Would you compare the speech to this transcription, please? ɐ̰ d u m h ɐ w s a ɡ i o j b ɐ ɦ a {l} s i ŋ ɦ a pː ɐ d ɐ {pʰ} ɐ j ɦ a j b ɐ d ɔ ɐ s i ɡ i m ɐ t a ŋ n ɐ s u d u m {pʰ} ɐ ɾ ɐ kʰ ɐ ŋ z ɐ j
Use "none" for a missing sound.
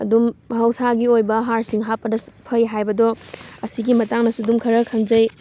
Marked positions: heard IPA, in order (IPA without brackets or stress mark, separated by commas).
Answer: ɾ, pʰ, kʰ